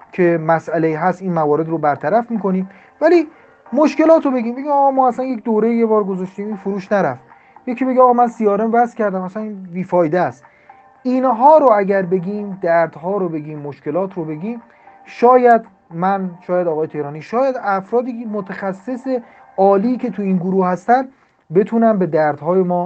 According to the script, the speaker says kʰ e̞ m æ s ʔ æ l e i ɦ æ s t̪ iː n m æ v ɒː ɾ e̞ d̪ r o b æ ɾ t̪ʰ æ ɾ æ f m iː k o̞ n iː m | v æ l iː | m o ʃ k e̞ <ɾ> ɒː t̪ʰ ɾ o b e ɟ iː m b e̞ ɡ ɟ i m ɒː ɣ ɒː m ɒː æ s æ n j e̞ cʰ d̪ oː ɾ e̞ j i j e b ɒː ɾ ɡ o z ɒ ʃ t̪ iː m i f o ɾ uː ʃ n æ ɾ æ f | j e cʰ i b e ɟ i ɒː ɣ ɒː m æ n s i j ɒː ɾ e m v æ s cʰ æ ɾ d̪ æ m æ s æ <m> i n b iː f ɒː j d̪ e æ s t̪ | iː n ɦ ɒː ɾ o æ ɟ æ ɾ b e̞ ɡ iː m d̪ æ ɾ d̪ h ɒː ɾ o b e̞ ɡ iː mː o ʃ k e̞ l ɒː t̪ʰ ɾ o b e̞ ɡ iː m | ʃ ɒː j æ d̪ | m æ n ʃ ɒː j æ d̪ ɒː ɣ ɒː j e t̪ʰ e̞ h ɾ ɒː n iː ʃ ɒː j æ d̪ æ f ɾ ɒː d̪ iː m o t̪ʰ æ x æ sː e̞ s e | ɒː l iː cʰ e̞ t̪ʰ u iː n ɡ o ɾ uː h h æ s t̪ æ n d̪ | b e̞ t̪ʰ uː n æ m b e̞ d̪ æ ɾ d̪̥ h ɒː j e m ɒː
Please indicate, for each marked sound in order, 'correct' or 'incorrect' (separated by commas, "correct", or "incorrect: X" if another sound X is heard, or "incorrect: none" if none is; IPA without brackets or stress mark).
incorrect: l, incorrect: n